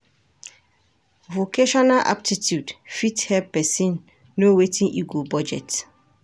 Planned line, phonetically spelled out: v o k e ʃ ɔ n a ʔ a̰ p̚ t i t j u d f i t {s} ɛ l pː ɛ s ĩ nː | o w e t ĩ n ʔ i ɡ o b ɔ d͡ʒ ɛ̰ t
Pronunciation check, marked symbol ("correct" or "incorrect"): incorrect